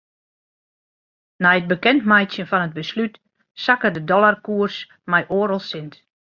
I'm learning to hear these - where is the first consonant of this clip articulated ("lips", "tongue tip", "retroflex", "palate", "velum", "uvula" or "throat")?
tongue tip